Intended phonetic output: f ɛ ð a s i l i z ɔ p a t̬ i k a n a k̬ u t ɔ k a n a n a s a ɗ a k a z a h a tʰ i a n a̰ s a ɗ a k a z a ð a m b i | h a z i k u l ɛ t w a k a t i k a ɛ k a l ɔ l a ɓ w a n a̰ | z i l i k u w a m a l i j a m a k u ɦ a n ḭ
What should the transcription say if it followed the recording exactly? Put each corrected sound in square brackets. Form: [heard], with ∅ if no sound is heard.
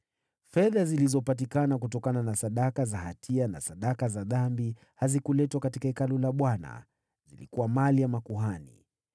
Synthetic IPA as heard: f ɛ ð a [z] i l i z ɔ p a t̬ i k a n a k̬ u t ɔ k a n a n a s a ɗ a k a z a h a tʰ i a n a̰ s a ɗ a k a z a ð a m b i | h a z i k u l ɛ t w a k a t i k a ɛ k a l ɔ l a ɓ w a n a̰ | z i l i k u w a m a l i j a m a k u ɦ a n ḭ